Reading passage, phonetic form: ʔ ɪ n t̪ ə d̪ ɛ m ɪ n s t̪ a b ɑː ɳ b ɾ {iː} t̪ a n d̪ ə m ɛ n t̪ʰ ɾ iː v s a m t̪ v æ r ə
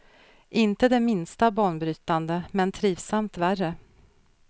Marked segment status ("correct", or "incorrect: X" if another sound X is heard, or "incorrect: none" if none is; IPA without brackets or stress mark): incorrect: yː